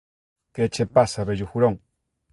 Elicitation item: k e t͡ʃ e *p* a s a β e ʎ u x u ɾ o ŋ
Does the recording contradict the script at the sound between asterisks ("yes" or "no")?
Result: no